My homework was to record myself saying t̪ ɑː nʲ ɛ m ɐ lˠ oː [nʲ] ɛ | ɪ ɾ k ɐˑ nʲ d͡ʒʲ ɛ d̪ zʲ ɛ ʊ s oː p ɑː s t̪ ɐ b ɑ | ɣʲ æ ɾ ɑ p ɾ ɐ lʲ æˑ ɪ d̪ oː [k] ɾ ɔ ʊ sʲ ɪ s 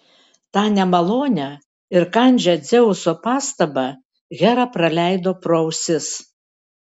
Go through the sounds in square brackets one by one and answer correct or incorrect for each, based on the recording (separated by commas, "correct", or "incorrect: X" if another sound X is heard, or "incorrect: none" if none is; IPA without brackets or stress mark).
correct, incorrect: p